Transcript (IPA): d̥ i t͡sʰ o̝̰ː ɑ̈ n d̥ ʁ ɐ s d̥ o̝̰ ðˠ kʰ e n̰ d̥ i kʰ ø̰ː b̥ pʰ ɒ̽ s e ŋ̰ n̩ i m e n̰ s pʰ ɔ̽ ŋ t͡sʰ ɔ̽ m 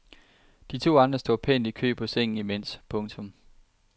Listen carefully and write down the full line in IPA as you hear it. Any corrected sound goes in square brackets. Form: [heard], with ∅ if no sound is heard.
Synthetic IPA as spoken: d̥ i t͡sʰ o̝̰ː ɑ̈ n d̥ ʁ ɐ s d̥ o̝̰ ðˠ [pʰ] e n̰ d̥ i kʰ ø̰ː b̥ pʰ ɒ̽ s e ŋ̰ n̩ i m e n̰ s pʰ ɔ̽ ŋ t͡sʰ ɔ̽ m